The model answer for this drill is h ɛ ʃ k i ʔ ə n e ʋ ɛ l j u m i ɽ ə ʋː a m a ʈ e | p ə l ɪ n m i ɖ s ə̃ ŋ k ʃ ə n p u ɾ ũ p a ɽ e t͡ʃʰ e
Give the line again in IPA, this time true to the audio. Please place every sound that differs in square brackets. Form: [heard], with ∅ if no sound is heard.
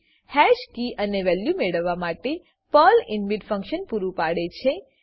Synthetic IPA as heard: h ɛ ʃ k i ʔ ə n e ʋ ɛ l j u m [e] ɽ ə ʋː a m a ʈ e | p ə l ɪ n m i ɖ [f] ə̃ ŋ k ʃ ə n p u ɾ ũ p a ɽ e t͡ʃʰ e